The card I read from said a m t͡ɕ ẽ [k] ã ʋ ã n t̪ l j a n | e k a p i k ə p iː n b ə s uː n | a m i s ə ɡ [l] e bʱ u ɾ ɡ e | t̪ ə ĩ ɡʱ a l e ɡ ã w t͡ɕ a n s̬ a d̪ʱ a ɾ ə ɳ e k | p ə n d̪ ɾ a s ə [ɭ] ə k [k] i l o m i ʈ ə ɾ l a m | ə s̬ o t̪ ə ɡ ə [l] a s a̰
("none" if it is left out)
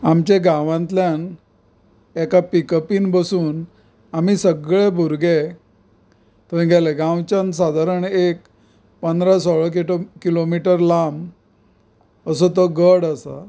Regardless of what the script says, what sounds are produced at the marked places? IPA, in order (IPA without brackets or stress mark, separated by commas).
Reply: ɡ, ɭ, ɭ, k, ɽ